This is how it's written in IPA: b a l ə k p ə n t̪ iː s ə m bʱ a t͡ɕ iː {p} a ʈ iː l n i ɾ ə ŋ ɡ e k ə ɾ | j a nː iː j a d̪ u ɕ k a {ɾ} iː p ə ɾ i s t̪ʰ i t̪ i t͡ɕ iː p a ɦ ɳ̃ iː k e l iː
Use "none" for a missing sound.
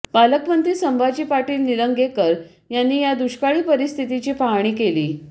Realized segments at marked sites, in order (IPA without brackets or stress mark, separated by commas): p, ɭ